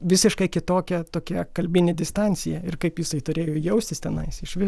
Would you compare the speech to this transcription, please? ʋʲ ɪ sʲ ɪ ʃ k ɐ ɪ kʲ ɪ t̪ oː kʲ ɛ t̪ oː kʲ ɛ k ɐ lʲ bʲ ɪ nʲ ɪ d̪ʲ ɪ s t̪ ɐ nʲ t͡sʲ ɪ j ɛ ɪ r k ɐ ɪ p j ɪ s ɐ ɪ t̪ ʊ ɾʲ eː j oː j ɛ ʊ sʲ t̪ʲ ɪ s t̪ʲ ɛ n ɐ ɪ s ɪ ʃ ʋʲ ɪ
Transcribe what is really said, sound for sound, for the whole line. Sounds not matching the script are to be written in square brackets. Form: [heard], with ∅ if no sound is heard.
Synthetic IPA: ʋʲ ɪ sʲ ɪ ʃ k ɐ ɪ kʲ ɪ t̪ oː kʲ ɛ t̪ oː kʲ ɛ k ɐ lʲ bʲ ɪ nʲ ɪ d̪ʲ ɪ s t̪ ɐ nʲ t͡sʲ ɪ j ɛ ɪ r k ɐ ɪ p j ɪ s ɐ ɪ t̪ ʊ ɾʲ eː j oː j ɛ ʊ sʲ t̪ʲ ɪ s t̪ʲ ɛ n ɐ ɪ s ɪ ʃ ʋʲ ɪ